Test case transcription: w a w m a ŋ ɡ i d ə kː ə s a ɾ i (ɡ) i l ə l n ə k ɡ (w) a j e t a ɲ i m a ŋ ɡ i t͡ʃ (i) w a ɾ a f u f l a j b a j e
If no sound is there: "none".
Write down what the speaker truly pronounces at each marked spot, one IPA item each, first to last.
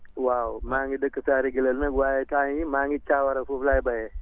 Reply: ɡ, w, a

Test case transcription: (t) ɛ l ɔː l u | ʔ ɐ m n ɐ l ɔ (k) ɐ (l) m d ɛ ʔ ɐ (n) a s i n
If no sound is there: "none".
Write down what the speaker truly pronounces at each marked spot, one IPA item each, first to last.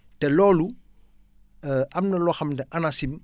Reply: t, x, none, n

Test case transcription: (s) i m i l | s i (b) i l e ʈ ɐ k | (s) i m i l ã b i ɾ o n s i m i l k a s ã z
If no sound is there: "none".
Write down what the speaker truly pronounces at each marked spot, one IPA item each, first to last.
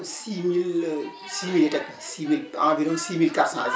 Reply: s, m, s

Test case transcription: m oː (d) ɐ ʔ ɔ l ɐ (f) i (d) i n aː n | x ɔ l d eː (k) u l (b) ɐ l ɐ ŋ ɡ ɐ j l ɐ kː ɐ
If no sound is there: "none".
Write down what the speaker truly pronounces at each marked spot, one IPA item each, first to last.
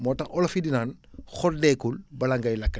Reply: t, f, d, k, b

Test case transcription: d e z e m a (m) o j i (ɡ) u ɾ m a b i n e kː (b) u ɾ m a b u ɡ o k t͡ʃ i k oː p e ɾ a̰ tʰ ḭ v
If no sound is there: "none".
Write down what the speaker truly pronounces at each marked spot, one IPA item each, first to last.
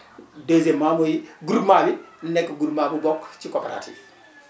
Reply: m, ɡ, ɡ

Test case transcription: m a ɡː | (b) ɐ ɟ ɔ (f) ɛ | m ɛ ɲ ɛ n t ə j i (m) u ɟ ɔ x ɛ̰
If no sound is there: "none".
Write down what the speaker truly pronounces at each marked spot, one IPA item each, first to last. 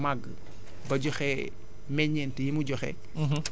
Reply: b, x, m

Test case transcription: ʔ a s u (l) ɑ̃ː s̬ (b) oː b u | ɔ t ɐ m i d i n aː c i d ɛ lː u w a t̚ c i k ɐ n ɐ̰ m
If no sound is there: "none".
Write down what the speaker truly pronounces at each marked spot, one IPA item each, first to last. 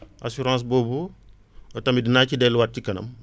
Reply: ɾ, b

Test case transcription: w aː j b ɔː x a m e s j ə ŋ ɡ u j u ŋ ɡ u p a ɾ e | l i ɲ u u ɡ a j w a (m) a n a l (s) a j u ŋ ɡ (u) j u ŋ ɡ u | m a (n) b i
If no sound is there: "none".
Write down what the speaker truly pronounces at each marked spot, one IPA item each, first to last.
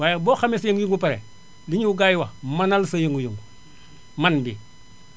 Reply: m, s, u, n

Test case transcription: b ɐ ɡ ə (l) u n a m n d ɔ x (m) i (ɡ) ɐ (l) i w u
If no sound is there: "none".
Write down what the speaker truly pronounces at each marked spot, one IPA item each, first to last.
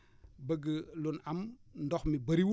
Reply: l, m, b, ɾ

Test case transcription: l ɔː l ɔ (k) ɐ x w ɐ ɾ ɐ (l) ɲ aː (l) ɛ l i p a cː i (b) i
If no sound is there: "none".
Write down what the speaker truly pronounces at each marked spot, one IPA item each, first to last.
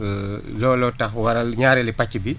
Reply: t, l, ɾ, b

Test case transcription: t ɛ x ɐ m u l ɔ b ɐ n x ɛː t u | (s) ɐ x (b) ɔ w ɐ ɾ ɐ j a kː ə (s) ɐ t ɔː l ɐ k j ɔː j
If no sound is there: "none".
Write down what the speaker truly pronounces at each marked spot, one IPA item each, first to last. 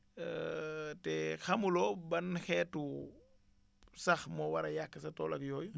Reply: s, m, s

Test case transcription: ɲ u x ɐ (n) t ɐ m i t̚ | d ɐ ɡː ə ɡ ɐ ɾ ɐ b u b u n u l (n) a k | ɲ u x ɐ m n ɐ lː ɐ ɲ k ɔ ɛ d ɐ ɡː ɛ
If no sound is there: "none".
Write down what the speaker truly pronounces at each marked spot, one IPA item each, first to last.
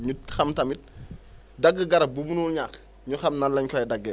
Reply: m, ɲ

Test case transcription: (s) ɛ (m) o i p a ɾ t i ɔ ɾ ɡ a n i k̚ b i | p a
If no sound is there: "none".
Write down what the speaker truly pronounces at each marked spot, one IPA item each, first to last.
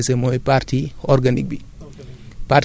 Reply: s, m

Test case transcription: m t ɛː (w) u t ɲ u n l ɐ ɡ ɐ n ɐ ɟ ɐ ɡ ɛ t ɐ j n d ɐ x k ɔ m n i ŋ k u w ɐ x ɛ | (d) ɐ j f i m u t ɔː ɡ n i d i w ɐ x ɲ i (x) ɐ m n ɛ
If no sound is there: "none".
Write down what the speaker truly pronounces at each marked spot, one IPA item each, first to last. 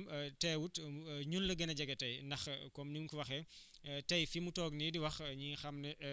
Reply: w, t, x

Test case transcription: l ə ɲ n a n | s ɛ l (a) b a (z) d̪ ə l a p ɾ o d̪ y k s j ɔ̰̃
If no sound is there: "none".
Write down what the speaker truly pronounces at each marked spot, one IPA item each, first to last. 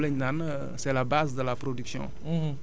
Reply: a, z

